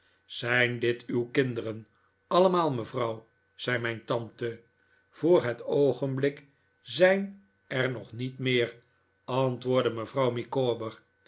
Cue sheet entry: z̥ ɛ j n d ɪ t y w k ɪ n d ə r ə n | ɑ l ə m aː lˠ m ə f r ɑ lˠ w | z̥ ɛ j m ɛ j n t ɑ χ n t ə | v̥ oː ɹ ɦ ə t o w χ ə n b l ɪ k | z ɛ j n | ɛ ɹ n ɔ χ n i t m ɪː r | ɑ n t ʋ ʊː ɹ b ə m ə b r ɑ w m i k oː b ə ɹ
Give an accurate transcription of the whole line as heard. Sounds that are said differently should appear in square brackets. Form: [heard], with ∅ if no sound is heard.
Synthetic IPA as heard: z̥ ɛ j n d ɪ t y w k ɪ n d ə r ə n | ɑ l ə m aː lˠ m ə [v] r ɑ [∅] w | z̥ ɛ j m ɛ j n t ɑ [∅] n t ə | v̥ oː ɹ ɦ ə t o w χ ə n b l ɪ k | z ɛ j n | ɛ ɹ n ɔ χ n i t m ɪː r | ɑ n t ʋ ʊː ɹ [d] ə m ə [v] r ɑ w m i k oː b ə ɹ